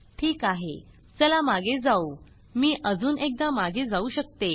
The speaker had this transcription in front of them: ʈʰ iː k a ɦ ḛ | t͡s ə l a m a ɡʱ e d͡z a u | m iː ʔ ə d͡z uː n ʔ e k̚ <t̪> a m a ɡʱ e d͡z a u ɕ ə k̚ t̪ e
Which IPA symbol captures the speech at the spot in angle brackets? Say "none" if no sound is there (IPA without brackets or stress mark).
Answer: d̪